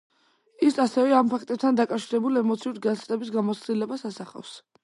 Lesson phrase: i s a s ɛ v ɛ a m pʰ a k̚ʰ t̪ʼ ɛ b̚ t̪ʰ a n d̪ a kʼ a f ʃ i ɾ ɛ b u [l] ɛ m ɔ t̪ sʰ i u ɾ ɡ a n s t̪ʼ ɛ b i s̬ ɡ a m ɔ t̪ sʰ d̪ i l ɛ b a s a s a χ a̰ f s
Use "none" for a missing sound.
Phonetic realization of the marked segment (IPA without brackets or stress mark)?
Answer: l